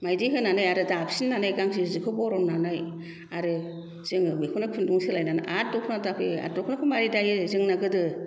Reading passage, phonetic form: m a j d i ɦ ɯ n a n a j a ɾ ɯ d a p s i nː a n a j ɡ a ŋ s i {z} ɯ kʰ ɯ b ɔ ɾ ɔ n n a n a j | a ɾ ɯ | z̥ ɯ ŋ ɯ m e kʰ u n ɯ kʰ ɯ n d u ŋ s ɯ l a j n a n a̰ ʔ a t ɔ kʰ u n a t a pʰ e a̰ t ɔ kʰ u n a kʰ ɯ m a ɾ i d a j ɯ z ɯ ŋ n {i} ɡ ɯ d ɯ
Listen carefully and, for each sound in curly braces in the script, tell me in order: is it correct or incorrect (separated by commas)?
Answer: correct, incorrect